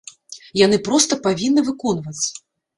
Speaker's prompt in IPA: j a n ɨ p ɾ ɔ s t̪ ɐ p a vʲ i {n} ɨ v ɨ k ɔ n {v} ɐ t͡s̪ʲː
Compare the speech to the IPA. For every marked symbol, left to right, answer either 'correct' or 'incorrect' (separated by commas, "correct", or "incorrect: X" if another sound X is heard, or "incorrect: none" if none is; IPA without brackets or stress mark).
incorrect: nː, correct